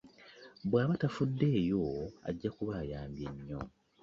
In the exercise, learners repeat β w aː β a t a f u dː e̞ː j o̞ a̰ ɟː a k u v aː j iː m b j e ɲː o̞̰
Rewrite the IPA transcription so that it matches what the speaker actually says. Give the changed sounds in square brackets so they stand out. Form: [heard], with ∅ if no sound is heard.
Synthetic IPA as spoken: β w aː β a t a f u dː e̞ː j o̞ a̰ ɟː a k u [β] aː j [aː] m b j e ɲː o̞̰